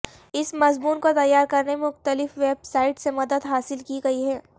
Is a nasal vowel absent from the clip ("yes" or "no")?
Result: yes